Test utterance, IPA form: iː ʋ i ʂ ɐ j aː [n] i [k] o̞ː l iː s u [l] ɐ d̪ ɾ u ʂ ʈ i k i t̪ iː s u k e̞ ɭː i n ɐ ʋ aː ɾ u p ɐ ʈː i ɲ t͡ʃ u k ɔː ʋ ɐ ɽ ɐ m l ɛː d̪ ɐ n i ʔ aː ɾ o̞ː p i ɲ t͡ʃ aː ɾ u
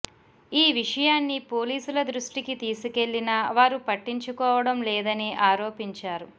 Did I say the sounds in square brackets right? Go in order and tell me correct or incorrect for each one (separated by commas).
incorrect, incorrect, correct